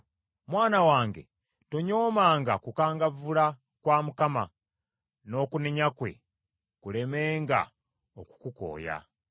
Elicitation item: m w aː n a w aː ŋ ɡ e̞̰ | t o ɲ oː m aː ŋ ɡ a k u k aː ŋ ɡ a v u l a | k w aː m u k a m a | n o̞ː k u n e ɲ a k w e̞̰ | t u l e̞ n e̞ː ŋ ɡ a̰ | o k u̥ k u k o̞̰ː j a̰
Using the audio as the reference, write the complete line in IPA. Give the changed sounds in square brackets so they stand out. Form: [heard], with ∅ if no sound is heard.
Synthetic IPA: m w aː n a w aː ŋ ɡ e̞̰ | t o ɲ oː m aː ŋ ɡ a k u k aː ŋ ɡ a v u l a | k w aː m u k a m a | n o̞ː k u n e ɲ a k w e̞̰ | [k] u l e̞ [m] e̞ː ŋ ɡ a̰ | o k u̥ k u k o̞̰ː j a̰